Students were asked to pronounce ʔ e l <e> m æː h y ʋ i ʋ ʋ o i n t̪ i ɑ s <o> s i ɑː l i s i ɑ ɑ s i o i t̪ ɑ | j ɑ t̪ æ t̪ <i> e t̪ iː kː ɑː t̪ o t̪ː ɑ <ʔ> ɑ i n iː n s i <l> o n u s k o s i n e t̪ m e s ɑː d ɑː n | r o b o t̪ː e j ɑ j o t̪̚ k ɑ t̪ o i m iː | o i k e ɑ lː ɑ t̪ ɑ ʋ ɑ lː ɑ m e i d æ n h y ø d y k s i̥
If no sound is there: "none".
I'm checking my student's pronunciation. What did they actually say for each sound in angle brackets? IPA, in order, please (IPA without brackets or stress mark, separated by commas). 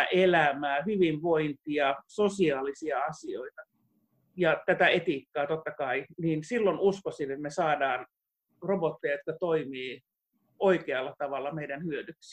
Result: æ, o, æ, k, lː